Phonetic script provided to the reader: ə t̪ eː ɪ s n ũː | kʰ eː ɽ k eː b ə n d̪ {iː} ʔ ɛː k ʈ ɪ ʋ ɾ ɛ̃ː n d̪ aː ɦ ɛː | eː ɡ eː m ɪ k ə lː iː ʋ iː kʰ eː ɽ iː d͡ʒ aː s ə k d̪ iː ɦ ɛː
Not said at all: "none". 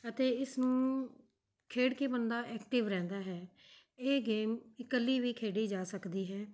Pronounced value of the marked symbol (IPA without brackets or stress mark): aː